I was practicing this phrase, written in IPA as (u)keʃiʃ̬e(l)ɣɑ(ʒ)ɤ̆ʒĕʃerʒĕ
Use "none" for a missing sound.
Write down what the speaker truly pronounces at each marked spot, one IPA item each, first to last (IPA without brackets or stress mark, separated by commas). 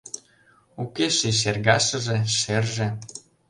u, r, ʃ